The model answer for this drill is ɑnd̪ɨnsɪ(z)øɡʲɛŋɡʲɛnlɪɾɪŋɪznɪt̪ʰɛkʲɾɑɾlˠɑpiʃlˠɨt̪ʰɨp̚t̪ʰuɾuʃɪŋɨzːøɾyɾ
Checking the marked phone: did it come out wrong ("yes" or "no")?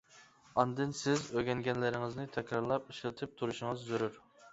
no